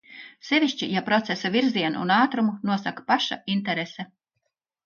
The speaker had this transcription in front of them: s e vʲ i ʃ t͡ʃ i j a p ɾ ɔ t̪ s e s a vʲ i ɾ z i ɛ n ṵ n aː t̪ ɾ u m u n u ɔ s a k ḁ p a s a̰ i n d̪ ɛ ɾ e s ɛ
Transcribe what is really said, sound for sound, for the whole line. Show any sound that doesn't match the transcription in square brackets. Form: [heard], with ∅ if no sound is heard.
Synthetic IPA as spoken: s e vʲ i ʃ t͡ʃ i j a p ɾ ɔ t̪ s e s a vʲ i ɾ z i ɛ n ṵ n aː t̪ ɾ u m u n u ɔ s a k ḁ p a [ʃ] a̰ i n [t̪] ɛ ɾ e s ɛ